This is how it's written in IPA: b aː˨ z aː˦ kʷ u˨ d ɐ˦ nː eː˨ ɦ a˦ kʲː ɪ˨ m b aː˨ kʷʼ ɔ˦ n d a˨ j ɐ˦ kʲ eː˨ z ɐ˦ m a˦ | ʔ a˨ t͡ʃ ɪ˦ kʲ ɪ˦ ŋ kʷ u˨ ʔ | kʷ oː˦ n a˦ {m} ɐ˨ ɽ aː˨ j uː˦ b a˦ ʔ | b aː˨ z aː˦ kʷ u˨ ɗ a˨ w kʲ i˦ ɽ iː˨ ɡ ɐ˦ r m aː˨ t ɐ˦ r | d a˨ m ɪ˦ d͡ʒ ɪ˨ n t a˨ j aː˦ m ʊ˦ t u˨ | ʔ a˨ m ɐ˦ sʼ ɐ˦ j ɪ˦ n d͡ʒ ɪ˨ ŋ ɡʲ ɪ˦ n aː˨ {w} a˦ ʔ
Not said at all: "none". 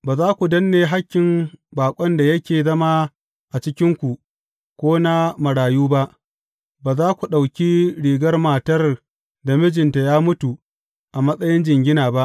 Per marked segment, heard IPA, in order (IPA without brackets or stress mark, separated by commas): m, b